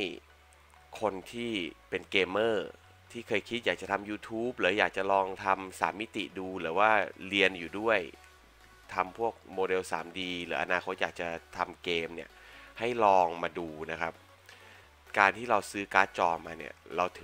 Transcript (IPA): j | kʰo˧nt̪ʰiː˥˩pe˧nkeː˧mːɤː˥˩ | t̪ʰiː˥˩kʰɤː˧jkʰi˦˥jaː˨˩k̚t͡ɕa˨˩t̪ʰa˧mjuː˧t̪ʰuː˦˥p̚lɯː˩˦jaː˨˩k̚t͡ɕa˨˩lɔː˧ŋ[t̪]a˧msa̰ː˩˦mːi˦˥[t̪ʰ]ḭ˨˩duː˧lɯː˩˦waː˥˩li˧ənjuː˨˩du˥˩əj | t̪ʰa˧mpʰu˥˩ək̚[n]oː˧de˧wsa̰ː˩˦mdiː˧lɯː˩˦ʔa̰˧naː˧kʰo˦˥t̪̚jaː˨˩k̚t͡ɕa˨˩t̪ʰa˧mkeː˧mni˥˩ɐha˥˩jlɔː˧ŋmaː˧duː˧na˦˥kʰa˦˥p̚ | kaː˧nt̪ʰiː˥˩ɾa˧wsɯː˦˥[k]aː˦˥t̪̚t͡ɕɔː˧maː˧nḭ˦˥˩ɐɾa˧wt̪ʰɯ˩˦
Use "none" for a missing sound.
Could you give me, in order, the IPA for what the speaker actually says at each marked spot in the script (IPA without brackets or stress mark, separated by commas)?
t̪ʰ, t̪, m, k